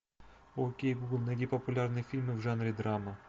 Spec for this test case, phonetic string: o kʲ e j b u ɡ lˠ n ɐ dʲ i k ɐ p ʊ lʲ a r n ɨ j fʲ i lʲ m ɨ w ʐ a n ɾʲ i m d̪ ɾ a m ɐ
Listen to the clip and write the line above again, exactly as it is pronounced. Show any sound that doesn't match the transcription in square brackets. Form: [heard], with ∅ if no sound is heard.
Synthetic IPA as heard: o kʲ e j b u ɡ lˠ n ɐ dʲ i [p] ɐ p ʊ lʲ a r n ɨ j fʲ i lʲ m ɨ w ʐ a n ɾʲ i [∅] d̪ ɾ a m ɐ